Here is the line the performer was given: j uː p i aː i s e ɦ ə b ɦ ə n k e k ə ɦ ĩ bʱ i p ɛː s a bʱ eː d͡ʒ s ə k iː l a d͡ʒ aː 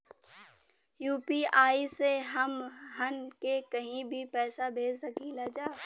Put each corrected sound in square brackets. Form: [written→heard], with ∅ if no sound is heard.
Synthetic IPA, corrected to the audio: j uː p i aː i s e ɦ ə [b→m] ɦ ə n k e k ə ɦ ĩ bʱ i p ɛː s a bʱ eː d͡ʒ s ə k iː l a d͡ʒ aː